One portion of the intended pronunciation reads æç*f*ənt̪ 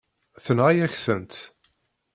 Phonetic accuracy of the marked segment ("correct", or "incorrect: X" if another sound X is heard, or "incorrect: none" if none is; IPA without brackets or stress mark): incorrect: θ